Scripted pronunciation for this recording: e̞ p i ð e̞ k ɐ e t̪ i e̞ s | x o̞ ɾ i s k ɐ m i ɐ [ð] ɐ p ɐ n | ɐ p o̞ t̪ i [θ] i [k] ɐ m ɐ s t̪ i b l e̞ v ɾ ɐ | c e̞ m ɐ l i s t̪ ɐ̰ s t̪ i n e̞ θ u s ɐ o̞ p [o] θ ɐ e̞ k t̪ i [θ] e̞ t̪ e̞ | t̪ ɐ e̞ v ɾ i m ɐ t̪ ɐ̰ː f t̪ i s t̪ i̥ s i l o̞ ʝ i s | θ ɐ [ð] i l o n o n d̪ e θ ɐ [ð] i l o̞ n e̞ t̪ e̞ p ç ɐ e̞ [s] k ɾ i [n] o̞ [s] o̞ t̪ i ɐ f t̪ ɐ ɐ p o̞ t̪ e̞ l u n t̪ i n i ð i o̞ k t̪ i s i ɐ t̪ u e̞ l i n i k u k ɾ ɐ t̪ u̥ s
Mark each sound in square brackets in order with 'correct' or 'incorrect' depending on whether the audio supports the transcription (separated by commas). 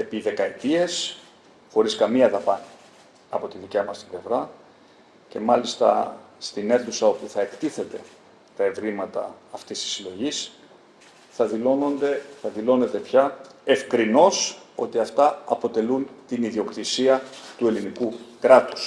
correct, incorrect, incorrect, incorrect, correct, correct, correct, incorrect, correct, correct